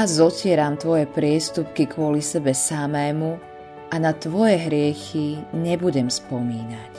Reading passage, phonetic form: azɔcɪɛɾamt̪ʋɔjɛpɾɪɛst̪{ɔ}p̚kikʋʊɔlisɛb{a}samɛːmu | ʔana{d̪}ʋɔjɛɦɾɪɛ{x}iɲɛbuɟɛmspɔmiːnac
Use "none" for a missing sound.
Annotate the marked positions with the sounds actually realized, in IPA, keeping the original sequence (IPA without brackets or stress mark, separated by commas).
u, ɛ, t̪, x